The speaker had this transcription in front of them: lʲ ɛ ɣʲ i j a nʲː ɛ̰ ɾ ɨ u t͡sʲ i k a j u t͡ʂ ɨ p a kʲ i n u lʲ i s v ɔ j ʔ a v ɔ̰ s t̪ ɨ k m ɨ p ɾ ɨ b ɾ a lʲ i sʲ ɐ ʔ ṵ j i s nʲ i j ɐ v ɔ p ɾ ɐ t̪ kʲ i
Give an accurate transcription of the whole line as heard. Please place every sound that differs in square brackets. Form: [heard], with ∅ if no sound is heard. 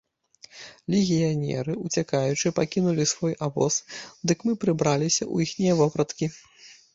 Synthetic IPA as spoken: lʲ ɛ ɣʲ i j a [nʲ] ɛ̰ ɾ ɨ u t͡sʲ [a] k a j u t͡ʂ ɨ p a kʲ i n u lʲ i s v ɔ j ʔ a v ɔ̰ s [d̪] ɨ k m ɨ p ɾ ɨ b ɾ a lʲ i sʲ ɐ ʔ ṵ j i [x] nʲ i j ɐ v ɔ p ɾ ɐ t̪ kʲ i